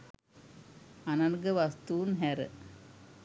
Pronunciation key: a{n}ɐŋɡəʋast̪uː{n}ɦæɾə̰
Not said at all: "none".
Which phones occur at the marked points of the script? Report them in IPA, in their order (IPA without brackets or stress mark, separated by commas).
n, n